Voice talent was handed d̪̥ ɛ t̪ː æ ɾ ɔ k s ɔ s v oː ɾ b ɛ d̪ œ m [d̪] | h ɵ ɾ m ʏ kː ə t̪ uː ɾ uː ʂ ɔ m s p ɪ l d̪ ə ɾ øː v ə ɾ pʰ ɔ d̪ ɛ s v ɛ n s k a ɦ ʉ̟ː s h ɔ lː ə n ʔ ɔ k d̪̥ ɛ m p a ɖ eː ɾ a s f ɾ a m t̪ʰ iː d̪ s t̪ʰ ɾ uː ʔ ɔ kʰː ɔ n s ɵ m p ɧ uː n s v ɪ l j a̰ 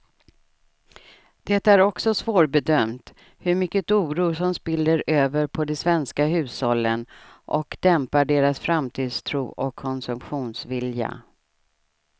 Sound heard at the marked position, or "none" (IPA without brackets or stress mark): t̪